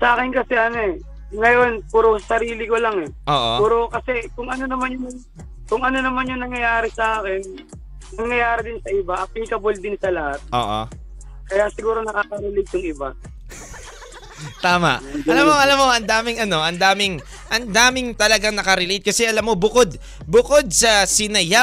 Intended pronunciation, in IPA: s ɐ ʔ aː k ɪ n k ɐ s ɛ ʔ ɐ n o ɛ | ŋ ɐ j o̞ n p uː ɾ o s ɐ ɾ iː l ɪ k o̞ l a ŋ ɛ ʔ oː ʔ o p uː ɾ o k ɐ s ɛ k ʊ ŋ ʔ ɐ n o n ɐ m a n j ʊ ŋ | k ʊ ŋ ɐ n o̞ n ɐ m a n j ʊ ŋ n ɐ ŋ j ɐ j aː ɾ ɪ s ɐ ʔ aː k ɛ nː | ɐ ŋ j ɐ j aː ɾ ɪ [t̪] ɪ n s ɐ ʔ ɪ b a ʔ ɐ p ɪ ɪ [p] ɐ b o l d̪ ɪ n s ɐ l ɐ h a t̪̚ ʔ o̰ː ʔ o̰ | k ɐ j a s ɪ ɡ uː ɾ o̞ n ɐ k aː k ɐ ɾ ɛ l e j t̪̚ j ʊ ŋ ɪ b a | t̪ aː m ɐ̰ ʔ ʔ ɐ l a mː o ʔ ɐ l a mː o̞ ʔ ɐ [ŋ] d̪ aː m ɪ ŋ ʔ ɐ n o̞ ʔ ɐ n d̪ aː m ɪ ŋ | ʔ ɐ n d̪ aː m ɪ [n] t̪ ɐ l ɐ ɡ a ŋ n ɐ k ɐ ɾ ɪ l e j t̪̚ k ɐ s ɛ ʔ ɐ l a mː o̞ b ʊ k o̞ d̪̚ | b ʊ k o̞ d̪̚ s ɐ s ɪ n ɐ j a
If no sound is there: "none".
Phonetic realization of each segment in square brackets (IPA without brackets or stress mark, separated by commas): d̪, k, n, ŋ